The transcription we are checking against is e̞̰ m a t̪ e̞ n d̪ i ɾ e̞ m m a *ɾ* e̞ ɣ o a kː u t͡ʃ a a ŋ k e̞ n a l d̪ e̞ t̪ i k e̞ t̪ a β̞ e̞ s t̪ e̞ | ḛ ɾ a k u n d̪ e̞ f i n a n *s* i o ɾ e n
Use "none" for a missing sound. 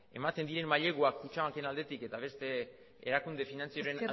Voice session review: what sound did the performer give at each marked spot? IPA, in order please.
ʎ, t͡s

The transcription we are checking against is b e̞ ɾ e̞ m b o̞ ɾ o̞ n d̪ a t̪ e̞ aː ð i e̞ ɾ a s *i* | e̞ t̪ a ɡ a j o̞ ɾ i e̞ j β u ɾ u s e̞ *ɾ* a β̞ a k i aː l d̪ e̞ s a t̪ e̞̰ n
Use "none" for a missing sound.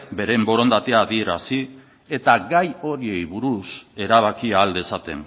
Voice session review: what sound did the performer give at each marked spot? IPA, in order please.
i, ɾ

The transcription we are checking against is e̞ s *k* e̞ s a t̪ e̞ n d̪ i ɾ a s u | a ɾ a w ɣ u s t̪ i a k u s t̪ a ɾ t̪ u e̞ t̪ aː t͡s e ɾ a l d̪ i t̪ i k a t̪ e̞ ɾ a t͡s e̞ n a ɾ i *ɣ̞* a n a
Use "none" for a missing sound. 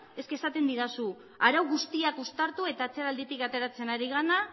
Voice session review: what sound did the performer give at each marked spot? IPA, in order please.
k, ɣ̞

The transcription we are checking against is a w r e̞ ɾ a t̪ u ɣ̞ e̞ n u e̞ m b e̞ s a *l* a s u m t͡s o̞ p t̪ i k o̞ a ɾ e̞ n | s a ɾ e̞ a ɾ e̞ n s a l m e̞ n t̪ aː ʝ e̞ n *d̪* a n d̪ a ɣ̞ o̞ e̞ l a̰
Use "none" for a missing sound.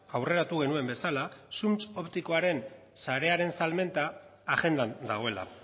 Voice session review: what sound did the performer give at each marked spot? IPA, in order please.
l, d̪

